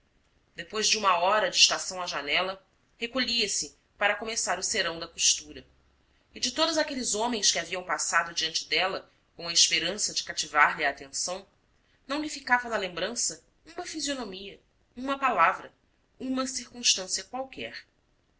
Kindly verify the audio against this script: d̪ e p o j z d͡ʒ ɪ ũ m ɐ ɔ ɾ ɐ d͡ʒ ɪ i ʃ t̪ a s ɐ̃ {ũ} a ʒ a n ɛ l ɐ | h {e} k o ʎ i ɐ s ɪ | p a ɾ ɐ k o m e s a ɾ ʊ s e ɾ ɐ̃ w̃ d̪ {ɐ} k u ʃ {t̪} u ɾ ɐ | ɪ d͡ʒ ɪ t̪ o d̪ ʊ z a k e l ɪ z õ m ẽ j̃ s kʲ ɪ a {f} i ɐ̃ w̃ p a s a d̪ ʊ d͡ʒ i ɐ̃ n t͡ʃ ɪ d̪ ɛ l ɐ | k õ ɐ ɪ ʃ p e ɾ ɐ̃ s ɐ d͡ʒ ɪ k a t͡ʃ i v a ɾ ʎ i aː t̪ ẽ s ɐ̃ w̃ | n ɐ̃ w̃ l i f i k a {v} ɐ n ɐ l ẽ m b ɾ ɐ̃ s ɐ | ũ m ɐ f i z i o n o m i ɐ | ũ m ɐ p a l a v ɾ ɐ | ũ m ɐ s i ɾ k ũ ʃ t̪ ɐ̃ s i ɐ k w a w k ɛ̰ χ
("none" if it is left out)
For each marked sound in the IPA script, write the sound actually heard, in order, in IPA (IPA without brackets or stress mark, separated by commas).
w̃, e, ɐ, t̪, v, v